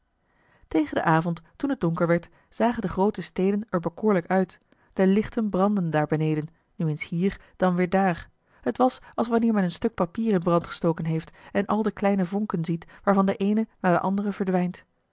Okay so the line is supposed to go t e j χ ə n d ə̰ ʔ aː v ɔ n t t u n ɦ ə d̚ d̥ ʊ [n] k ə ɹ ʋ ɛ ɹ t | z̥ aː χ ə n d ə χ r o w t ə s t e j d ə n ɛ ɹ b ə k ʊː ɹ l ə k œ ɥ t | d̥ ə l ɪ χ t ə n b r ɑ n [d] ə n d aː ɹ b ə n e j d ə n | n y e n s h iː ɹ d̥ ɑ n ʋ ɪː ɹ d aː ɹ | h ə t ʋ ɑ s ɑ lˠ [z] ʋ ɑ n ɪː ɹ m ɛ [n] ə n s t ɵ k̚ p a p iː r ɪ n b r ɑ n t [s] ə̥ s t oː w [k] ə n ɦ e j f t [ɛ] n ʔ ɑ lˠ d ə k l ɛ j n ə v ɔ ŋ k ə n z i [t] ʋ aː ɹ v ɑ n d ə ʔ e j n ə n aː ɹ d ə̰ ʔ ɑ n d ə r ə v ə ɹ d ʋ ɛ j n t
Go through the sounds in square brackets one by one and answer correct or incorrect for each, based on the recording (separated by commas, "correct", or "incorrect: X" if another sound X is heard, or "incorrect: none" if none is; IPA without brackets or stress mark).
incorrect: ŋ, correct, incorrect: s, correct, incorrect: χ, correct, correct, correct